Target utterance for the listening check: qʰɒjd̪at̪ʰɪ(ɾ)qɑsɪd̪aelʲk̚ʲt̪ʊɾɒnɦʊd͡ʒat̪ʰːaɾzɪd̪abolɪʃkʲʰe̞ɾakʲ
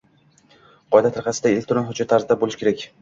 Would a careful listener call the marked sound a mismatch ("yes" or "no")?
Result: no